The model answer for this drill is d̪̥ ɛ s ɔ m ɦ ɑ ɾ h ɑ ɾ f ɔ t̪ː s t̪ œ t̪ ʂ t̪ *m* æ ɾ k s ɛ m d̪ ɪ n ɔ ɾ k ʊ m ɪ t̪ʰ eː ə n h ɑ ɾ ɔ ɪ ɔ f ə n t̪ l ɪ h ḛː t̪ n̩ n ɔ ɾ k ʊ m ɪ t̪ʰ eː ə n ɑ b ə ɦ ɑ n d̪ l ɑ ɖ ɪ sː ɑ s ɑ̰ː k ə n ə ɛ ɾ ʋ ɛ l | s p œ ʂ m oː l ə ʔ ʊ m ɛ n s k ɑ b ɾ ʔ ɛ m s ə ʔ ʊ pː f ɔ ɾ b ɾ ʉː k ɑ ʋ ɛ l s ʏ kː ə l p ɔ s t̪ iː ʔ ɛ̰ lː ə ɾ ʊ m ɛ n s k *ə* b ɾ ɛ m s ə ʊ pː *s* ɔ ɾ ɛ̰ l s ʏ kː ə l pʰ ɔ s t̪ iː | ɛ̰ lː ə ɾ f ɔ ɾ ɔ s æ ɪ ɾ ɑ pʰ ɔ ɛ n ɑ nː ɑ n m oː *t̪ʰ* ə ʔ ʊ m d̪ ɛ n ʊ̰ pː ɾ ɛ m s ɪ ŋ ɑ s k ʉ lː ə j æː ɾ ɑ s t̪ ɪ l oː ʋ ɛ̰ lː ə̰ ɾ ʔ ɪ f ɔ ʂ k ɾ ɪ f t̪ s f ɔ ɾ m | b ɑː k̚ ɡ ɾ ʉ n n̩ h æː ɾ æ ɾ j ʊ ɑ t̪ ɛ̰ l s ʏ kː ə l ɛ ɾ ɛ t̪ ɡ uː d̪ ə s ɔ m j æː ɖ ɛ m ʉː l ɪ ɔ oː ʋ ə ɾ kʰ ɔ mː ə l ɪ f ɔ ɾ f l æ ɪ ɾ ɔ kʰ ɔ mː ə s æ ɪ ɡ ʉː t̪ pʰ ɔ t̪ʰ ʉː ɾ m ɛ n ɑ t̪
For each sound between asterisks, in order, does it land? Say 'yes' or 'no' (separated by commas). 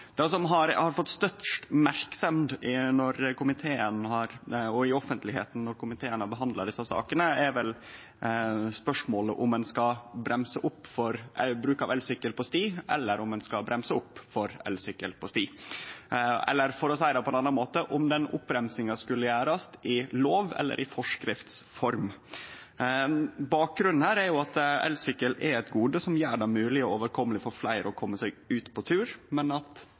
yes, no, no, no